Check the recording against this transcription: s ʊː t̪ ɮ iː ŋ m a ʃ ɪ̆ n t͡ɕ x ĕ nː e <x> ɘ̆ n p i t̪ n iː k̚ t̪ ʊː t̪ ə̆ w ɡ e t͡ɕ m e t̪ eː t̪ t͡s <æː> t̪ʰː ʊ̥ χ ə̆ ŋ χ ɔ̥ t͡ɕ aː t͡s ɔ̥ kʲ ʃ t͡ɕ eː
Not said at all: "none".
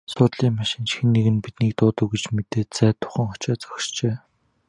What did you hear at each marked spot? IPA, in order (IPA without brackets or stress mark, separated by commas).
ɣ, æː